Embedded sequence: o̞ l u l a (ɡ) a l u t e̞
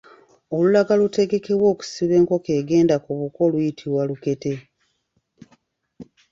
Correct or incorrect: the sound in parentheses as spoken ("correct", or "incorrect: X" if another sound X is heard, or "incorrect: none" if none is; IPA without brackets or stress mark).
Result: correct